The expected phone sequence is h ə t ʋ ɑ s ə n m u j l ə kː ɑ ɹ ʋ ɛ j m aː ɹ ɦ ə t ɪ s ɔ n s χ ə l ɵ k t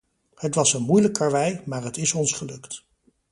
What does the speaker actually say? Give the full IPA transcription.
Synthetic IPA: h ə t ʋ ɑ s ə n m u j l ə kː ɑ ɹ ʋ ɛ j m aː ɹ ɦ ə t ɪ s ɔ n s χ ə l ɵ k t